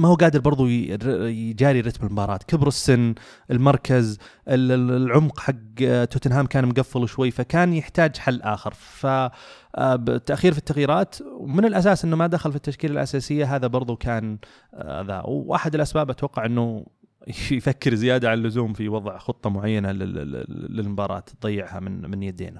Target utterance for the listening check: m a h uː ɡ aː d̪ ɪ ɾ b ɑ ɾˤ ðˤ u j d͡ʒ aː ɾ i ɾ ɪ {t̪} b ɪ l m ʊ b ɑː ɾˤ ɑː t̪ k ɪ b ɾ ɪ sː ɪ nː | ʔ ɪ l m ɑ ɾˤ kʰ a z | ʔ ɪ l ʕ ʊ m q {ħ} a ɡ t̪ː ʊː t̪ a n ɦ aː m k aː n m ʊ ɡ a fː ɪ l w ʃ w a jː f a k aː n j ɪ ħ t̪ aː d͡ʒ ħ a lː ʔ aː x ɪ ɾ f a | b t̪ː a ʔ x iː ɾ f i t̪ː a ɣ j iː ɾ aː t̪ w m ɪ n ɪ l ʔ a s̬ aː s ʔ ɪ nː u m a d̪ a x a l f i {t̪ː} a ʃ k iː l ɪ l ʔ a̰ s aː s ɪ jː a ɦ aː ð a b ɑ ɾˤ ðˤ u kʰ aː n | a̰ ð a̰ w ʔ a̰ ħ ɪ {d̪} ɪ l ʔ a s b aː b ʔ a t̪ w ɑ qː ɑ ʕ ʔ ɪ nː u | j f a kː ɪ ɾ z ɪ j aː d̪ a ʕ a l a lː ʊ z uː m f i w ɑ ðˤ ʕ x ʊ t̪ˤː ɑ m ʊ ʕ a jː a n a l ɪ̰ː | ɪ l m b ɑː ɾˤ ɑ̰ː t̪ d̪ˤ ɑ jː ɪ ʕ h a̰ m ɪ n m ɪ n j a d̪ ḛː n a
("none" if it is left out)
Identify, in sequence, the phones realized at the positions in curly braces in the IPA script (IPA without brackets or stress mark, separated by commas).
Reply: t̪, ħ, t̪ː, d̪